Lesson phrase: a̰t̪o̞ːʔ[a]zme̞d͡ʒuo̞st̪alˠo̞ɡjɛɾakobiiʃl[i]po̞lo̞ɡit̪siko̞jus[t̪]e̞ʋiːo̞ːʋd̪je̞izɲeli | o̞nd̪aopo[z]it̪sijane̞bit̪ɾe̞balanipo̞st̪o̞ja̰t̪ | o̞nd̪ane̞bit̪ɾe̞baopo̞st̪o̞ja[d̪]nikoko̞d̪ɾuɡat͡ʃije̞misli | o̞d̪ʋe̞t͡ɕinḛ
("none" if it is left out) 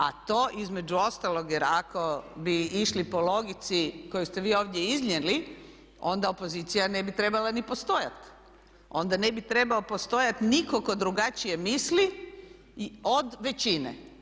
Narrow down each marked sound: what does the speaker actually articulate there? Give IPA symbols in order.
i, i, t̪, z, t̪

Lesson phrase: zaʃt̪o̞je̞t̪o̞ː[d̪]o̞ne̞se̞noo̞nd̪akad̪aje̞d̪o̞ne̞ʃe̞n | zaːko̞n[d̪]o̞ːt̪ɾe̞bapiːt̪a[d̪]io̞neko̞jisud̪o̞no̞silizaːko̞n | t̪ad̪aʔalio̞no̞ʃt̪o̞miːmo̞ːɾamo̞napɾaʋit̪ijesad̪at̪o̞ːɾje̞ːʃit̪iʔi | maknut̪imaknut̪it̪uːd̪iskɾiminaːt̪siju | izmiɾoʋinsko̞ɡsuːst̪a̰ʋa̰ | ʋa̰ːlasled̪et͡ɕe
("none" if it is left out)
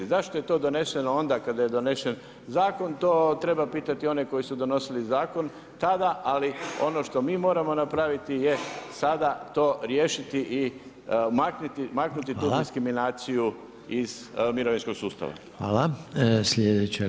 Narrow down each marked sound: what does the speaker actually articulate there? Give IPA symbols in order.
d̪, t̪, t̪

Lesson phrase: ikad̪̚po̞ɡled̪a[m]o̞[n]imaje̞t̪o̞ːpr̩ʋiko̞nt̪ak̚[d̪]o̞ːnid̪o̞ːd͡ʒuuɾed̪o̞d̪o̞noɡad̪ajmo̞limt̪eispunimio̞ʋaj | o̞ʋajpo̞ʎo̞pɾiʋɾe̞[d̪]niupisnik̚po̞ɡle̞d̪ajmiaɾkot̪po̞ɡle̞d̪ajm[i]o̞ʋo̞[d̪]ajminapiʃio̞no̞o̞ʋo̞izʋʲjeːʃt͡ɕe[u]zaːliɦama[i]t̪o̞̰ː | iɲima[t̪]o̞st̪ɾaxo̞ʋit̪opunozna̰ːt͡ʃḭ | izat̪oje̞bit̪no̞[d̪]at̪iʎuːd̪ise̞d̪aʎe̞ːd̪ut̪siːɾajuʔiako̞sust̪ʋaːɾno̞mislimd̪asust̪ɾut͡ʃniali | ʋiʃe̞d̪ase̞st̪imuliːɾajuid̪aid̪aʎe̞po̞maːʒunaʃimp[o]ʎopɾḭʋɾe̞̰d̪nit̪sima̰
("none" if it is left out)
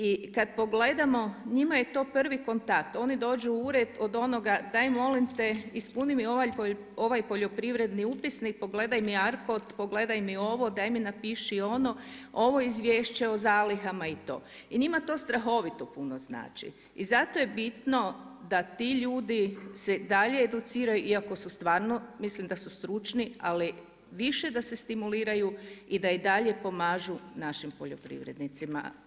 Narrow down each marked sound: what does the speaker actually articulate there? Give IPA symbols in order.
m, ɲ, t̪, d̪, i, d̪, o, i, t̪, d̪, o

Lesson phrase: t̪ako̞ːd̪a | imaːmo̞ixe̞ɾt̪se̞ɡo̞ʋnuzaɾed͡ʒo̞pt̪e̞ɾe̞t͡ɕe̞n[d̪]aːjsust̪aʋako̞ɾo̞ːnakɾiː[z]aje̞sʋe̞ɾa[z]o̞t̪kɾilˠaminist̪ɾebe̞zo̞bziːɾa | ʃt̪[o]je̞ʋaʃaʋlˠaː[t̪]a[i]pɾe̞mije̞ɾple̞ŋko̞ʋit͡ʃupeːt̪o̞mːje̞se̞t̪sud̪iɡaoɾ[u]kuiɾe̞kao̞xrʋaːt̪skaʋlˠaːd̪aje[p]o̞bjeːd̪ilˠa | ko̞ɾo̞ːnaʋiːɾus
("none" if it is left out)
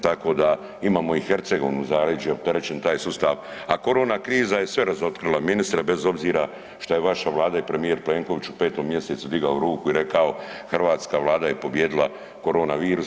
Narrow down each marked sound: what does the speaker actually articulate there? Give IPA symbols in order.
t̪, z, z, o, d̪, i, uː, p

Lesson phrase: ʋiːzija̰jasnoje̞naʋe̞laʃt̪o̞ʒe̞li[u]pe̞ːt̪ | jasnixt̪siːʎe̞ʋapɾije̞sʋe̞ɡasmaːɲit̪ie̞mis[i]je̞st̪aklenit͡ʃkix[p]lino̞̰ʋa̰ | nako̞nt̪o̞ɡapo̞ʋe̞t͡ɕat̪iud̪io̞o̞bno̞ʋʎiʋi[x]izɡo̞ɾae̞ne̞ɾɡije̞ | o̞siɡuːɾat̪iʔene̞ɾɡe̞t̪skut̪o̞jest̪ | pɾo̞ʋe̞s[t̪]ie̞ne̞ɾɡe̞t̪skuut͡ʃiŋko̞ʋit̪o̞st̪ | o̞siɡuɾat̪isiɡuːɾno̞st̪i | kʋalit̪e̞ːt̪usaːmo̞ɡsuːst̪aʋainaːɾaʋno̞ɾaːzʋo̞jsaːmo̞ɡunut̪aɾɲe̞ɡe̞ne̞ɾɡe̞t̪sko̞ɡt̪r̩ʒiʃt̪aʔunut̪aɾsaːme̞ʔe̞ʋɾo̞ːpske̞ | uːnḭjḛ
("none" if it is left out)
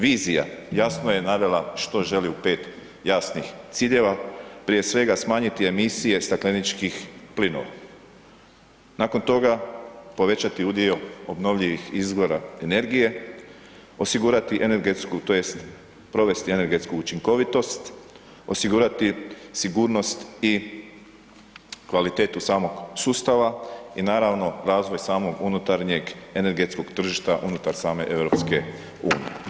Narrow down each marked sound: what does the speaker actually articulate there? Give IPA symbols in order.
u, i, p, x, t̪

